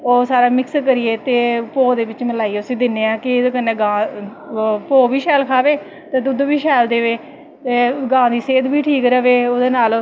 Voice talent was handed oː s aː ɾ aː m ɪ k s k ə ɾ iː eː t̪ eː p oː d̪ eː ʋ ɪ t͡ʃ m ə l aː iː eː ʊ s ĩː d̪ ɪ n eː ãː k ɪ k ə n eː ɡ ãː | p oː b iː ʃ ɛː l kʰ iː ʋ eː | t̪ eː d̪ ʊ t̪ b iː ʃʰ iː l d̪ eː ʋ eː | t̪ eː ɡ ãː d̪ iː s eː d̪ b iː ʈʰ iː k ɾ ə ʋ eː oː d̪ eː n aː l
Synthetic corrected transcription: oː s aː ɾ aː m ɪ k s k ə ɾ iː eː t̪ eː p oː d̪ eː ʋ ɪ t͡ʃ m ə l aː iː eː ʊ s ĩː d̪ ɪ n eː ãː k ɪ k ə n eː ɡ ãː | p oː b iː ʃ ɛː l kʰ aː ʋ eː | t̪ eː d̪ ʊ d̪ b iː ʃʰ ɛː l d̪ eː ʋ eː | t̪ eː ɡ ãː d̪ iː s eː d̪ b iː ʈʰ iː k ɾ ə ʋ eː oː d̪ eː n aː l